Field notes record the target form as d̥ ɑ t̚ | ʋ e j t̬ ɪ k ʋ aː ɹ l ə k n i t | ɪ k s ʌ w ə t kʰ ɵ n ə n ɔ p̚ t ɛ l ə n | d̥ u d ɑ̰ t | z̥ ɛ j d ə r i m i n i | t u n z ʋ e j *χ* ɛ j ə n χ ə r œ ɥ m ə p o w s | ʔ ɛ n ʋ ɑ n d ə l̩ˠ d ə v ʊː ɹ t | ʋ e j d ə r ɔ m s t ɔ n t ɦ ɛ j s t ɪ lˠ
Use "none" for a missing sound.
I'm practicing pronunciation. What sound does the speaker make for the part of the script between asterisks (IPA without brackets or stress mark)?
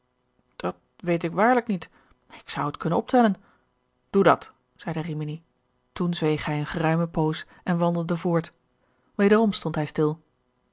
χ